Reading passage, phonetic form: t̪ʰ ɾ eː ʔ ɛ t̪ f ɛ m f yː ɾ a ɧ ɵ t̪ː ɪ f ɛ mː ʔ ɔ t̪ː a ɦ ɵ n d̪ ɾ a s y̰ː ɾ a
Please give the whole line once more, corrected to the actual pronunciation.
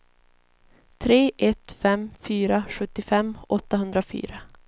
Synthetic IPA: t̪ʰ ɾ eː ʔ ɛ t̪ f ɛ m f yː ɾ a ɧ ɵ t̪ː ɪ f ɛ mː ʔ ɔ t̪ː a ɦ ɵ n d̪ ɾ a f y̰ː ɾ a

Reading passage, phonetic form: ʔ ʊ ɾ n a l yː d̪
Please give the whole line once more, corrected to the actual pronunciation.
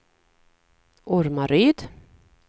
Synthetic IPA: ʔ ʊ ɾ m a ɾ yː d̪

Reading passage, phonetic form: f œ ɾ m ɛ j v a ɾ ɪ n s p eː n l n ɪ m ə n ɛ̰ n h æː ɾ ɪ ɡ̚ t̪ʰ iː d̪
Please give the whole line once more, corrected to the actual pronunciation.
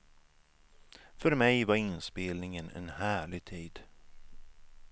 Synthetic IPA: f œ ɾ m ɛ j v a ɾ ɪ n s p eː l n ɪ ŋ ə n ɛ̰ n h æː ɭ ɪ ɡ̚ t̪ʰ iː d̪

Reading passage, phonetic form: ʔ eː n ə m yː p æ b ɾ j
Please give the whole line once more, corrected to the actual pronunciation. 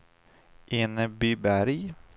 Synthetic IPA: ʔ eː n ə b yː b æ ɾ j

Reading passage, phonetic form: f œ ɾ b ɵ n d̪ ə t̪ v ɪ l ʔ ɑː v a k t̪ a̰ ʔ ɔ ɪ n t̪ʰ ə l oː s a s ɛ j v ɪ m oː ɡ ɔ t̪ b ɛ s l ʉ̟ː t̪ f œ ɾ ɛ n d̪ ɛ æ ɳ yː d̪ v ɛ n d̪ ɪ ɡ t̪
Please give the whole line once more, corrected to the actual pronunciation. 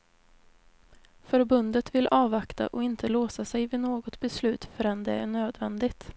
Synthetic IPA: f œ ɾ b ɵ n d̪ ə t̪ v ɪ l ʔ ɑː v a k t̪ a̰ ʔ ɔ ɪ n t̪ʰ ə l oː s a s ɛ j v ɪ n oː ɡ ɔ t̪ b ɛ s l ʉ̟ː t̪ f œ ɾ ɛ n d̪ ɛ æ ɳ øː d̪ v ɛ n d̪ ɪ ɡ t̪

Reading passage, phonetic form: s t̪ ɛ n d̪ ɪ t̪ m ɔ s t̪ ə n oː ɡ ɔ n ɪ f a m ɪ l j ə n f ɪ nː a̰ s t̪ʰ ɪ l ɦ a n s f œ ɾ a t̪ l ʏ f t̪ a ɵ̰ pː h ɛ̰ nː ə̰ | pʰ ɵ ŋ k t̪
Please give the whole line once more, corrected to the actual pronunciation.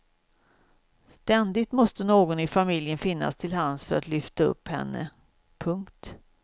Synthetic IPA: s t̪ ɛ n d̪ ɪ t̪ m ɔ s t̪ ə n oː ɡ ɔ n ɪ f a m ɪ l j ə n f ɪ nː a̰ s t̪ʰ ɪ l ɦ a n s f œ ɾ a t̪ l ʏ f t̪ a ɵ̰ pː h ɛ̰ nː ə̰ | pʰ ɵ ŋ k t̪

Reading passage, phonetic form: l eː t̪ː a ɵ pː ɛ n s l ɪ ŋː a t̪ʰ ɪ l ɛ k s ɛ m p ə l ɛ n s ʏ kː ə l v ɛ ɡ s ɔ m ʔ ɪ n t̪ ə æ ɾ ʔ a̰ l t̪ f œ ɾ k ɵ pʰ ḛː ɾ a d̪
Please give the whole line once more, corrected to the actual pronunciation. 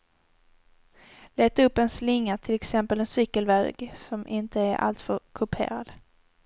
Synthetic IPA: l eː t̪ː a ɵ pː ɛ n s l ɪ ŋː a t̪ʰ ɪ l ɛ k s ɛ m p ə l ɛ n s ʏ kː ə l v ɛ ɡ s ɔ m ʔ ɪ n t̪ ə æ ɾ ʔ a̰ l t̪ f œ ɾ kʰ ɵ pʰ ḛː ɾ a d̪

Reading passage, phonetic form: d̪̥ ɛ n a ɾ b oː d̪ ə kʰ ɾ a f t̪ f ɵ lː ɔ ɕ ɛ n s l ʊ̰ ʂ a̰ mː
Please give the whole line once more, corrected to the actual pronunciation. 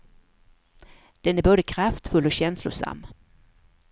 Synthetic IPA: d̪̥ ɛ n æ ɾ b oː d̪ ə kʰ ɾ a f t̪ f ɵ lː ɔ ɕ ɛ n s l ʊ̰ ʂ a̰ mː

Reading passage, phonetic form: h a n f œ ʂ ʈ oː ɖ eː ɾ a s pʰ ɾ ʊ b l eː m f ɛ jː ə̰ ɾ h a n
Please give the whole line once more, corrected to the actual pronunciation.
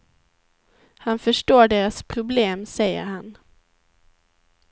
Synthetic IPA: h a n f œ ʂ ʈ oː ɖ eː ɾ a s pʰ ɾ ʊ b l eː m s ɛ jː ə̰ ɾ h a n

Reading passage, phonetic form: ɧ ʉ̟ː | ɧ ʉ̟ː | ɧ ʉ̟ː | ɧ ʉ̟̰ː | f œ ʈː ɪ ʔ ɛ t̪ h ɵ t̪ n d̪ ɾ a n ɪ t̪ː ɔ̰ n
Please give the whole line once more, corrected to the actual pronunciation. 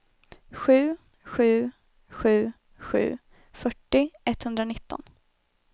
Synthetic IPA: ɧ ʉ̟ː | ɧ ʉ̟ː | ɧ ʉ̟ː | ɧ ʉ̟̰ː | f œ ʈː ɪ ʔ ɛ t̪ h ɵ n d̪ ɾ a n ɪ t̪ː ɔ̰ n

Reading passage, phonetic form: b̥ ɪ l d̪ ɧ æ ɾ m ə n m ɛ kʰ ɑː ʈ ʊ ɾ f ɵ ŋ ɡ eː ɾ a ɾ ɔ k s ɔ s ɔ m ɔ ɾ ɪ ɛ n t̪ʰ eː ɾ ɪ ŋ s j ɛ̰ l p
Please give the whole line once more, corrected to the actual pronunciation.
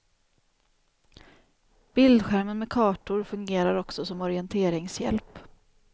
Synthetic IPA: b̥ ɪ l d̪ ɧ æ ɾ m ə n m ɛ kʰ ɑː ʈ ʊ ɾ f ɵ ŋ ɡ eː ɾ a ɾ ɔ k s ɔ s ɔ m ɔ ɾ ɪ ɛ n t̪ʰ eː ɾ ɪ ŋ s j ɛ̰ l p

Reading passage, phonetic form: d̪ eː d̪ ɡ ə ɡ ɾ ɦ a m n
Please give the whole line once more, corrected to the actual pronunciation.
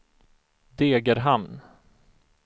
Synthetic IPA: d̪ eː ɡ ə ɾ ɦ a m n

